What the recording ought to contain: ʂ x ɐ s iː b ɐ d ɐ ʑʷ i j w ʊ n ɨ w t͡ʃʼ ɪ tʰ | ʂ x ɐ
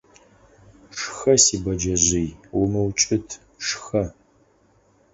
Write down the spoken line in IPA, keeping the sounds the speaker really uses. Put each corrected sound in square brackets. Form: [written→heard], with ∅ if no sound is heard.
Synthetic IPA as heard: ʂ x ɐ s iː b ɐ [d→d͡ʒ] ɐ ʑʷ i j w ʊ [n→m] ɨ w t͡ʃʼ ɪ tʰ | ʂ x ɐ